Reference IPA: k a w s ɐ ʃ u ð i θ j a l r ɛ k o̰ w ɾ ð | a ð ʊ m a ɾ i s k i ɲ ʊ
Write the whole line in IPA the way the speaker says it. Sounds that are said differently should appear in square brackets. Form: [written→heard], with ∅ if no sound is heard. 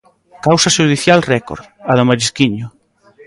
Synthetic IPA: k a w s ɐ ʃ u ð i θ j a l r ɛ k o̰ [w→∅] ɾ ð | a ð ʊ m a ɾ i s k i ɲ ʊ

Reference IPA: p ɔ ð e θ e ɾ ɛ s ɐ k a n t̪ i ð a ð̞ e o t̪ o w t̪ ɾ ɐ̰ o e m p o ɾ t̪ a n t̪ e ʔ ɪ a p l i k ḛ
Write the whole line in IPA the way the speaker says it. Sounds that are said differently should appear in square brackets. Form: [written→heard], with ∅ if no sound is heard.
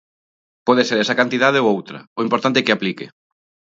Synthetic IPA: p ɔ ð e [θ→s] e ɾ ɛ s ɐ k a n t̪ i ð a ð̞ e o [t̪→∅] o w t̪ ɾ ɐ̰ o [e→i] m p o ɾ t̪ a n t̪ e [ʔ→k] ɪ a p l i k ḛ

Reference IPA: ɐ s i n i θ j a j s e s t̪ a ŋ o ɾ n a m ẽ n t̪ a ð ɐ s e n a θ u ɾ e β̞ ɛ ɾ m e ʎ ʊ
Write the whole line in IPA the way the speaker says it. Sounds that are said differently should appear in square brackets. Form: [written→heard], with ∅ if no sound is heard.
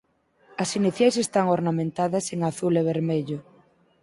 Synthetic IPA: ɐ s i n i θ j a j s e s t̪ a ŋ o ɾ n a m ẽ n t̪ a ð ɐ s e [n→ŋ] a θ u [ɾ→l] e β̞ [ɛ→e] ɾ m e ʎ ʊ

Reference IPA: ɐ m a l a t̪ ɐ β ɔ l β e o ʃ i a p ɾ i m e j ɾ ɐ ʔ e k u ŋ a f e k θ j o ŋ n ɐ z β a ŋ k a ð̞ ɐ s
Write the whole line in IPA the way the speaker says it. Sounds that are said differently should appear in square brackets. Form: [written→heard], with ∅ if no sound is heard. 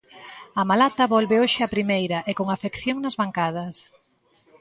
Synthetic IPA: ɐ m a l a t̪ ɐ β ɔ l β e o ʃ [i→ɪ] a p ɾ i m e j ɾ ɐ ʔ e k [u→o] ŋ a f e k θ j o ŋ n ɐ z β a ŋ k a ð̞ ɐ s

